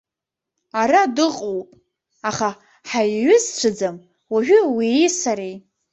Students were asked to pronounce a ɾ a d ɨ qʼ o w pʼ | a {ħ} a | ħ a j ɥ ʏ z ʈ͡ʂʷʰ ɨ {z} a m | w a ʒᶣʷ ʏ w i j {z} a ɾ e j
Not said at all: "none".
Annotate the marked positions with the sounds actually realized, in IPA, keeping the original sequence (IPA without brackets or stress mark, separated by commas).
χ, d͡z, s